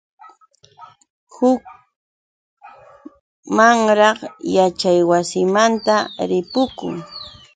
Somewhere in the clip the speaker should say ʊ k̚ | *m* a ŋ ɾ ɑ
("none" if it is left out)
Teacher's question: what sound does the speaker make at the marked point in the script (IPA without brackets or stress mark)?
m